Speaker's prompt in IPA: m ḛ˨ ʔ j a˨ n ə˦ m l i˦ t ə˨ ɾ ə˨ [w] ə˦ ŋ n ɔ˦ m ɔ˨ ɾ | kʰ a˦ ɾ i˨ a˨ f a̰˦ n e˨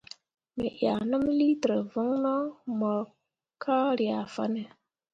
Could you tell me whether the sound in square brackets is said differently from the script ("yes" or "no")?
yes